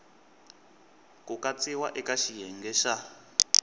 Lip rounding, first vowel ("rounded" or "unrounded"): rounded